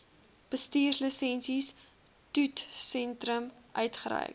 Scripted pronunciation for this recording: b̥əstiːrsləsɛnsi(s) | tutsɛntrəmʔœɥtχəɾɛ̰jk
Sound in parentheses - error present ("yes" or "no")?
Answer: no